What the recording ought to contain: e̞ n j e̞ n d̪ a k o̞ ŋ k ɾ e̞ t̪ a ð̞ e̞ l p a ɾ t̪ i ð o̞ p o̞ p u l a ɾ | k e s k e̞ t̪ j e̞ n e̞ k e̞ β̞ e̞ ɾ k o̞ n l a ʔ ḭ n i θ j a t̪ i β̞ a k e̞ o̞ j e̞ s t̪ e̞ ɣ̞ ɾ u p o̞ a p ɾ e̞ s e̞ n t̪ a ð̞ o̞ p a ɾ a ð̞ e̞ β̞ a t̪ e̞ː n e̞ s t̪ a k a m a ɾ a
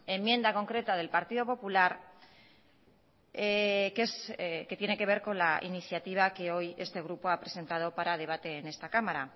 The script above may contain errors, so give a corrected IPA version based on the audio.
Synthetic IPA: e̞ m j e̞ n d̪ a k o̞ ŋ k ɾ e̞ t̪ a ð̞ e̞ l p a ɾ t̪ i ð o̞ p o̞ p u l a ɾ | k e s k e̞ t̪ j e̞ n e̞ k e̞ β̞ e̞ ɾ k o̞ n l a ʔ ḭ n i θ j a t̪ i β̞ a k e̞ o̞ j e̞ s t̪ e̞ ɣ̞ ɾ u p o̞ a p ɾ e̞ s e̞ n t̪ a ð̞ o̞ p a ɾ a ð̞ e̞ β̞ a t̪ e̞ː n e̞ s t̪ a k a m a ɾ a

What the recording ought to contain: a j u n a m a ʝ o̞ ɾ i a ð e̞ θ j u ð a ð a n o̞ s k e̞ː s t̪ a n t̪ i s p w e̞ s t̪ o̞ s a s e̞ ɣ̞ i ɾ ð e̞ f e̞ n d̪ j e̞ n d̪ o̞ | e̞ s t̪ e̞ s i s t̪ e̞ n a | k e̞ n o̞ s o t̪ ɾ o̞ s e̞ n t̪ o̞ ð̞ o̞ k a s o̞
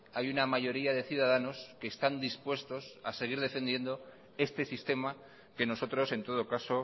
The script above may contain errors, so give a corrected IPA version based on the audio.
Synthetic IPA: a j u n a m a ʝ o̞ ɾ i a ð e̞ θ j u ð a ð a n o̞ s k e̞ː s t̪ a n d̪ i s p w e̞ s t̪ o̞ s a s e̞ ɣ̞ i ɾ ð e̞ f e̞ n d̪ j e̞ n d̪ o̞ | e̞ s t̪ e̞ s i s t̪ e̞ m a | k e̞ n o̞ s o t̪ ɾ o̞ s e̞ n t̪ o̞ ð̞ o̞ k a s o̞

